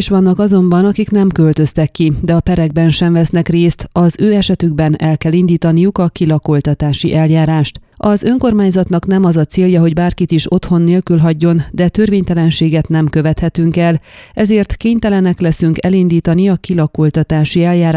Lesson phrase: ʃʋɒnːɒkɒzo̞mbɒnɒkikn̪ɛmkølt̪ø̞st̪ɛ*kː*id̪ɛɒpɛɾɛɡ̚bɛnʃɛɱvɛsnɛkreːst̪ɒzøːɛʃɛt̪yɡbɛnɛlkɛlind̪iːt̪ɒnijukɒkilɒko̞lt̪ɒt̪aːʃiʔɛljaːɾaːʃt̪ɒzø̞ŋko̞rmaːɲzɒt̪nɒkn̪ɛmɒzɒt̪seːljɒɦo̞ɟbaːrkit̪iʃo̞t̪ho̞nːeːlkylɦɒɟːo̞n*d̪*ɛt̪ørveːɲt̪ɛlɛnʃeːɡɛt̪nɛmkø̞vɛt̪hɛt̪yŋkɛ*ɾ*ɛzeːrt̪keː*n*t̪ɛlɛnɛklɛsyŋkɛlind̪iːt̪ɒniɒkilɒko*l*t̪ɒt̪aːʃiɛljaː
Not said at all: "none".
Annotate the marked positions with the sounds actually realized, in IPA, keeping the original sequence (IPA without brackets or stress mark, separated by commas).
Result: kː, d̪, l, ɲ, l